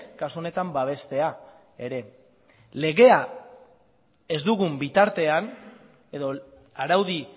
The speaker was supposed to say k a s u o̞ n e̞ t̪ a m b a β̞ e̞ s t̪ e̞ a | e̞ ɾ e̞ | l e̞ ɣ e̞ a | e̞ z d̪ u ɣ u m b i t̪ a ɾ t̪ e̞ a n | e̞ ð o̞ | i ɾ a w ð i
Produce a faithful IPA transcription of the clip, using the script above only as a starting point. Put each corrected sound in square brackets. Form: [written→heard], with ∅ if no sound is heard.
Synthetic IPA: k a s u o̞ n e̞ t̪ a m b a β̞ e̞ s t̪ e̞ a | e̞ ɾ e̞ | l e̞ ɣ e̞ a | e̞ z d̪ u ɣ u m b i t̪ a ɾ t̪ e̞ a n | e̞ ð o̞ | [i→a] ɾ a w ð i